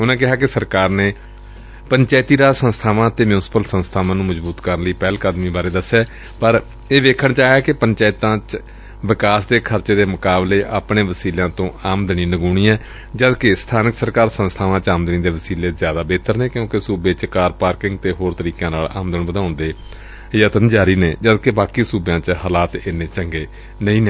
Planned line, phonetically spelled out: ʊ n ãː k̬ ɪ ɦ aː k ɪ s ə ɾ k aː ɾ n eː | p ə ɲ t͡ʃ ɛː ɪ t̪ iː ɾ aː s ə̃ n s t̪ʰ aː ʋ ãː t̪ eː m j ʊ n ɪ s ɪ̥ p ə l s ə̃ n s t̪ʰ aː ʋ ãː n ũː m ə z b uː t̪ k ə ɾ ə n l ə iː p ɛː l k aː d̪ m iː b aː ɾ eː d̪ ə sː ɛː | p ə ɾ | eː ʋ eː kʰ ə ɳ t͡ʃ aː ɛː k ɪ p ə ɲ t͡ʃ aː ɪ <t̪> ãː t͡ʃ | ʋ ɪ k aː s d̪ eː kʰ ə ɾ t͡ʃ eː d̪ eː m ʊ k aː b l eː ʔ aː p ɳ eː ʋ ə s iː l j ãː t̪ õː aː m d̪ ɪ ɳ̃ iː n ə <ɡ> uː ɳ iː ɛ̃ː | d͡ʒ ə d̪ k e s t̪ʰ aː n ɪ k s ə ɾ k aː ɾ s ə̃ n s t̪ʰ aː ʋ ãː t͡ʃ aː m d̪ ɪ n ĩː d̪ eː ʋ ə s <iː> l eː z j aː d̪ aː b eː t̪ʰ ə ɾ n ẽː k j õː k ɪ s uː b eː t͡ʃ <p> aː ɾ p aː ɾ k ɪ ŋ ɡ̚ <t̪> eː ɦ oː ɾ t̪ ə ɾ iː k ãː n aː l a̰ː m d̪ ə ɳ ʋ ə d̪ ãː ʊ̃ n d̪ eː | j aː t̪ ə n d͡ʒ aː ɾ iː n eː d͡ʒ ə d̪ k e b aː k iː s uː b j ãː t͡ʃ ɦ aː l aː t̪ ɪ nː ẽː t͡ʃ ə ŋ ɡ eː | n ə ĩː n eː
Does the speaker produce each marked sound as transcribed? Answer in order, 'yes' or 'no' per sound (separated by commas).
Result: yes, yes, yes, no, yes